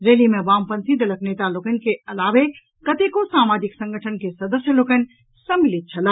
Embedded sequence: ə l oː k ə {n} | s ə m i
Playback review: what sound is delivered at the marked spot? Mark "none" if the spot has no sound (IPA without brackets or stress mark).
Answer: n